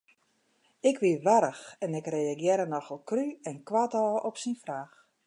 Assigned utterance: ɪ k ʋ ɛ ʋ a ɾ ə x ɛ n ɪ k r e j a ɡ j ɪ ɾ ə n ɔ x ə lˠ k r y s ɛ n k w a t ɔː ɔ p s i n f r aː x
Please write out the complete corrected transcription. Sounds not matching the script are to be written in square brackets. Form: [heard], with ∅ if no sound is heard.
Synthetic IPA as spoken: ɪ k ʋ [i] ʋ a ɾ ə x ɛ n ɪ k r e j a ɡ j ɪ ɾ ə n ɔ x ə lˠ k r y [∅] ɛ n k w a t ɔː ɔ p s i n f r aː x

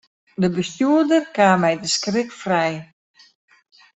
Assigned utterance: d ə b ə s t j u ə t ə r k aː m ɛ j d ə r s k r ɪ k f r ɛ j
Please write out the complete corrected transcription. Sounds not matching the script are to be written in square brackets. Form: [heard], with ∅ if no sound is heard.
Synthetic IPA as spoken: d ə b ə s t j u ə [d] ə r k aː m ɛ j d ə [∅] s k r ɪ k f r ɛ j

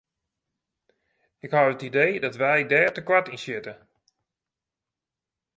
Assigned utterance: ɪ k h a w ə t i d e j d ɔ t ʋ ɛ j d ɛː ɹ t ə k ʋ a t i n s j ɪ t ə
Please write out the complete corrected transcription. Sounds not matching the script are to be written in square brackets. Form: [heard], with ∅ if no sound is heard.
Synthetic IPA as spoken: ɪ k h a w ə t i d e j d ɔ t ʋ ɛ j d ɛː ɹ t ə k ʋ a t i n s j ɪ t ə

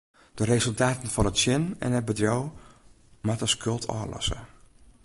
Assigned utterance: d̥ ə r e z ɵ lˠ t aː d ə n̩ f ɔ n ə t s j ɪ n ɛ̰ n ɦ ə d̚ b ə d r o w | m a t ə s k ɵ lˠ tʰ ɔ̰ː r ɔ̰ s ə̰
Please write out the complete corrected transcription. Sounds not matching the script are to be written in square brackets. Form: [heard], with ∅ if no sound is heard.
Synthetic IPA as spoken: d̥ ə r e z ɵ lˠ t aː [t] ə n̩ f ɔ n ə t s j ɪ n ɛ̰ n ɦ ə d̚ b ə d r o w | m a t ə s k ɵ lˠ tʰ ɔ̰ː [l] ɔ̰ s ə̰

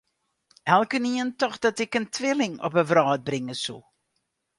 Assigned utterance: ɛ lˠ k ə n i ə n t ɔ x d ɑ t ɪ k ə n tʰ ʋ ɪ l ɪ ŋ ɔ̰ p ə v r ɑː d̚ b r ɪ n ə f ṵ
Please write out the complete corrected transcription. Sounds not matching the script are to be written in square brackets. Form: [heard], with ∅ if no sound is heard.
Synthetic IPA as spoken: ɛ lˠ k ə n i ə n t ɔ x d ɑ t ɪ k ə n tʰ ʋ ɪ l ɪ ŋ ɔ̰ p ə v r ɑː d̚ b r ɪ [ŋ] ə [s] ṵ

